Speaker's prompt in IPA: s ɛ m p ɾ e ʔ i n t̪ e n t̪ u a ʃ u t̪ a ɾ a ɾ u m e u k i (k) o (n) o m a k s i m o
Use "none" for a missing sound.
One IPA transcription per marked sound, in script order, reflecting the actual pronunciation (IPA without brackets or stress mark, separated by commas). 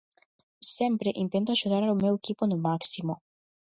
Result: p, n